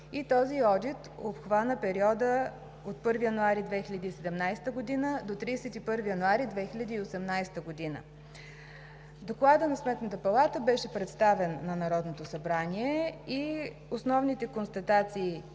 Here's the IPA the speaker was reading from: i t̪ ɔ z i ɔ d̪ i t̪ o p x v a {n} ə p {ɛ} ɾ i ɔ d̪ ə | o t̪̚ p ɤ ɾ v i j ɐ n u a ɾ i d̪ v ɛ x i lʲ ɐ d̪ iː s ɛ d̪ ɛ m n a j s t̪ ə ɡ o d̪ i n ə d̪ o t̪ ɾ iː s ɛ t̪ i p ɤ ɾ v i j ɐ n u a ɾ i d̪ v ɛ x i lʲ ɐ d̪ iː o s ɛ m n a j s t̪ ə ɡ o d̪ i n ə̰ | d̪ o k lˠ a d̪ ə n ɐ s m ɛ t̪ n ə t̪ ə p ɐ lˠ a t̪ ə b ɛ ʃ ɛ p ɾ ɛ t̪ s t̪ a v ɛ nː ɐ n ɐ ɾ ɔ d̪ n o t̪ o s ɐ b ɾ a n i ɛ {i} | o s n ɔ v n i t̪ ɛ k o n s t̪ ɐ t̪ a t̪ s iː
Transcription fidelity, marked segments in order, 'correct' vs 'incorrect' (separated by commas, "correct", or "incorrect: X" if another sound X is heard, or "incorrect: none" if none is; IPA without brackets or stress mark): correct, correct, correct